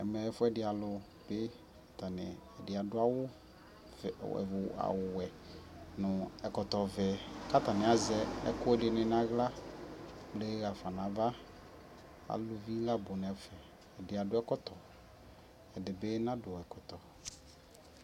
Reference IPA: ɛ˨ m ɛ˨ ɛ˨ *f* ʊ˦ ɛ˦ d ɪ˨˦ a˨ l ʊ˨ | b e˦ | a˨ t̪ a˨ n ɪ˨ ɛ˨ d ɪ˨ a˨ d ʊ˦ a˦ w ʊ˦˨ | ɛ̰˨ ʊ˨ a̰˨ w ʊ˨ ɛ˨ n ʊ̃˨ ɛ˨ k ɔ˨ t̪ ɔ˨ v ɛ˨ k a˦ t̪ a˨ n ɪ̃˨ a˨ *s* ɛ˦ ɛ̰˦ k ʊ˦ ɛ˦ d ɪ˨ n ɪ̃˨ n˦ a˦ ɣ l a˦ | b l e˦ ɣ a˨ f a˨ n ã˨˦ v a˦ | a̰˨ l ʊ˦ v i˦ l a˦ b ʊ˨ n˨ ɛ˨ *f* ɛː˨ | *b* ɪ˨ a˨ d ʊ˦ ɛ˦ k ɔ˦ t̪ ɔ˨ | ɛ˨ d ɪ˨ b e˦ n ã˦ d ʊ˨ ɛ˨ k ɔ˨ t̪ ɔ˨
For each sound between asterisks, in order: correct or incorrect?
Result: correct, incorrect, correct, incorrect

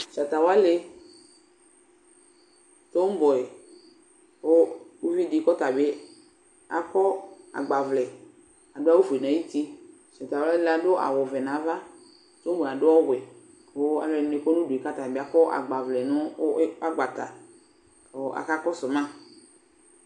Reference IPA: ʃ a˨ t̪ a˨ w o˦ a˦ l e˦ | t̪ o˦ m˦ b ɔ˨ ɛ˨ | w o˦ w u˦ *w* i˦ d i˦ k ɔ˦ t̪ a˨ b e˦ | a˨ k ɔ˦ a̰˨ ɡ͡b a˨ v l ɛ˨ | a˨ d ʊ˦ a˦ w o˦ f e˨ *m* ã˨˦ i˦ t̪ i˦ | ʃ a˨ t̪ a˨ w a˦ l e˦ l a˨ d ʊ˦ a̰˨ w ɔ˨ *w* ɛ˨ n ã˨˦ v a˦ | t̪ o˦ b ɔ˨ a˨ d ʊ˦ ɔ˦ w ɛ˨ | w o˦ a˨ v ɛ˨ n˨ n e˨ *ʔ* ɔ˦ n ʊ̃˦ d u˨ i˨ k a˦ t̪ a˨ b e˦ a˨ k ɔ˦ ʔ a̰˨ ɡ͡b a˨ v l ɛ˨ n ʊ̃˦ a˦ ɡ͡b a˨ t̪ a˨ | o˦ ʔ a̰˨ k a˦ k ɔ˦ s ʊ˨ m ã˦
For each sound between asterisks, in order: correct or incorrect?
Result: incorrect, incorrect, incorrect, incorrect

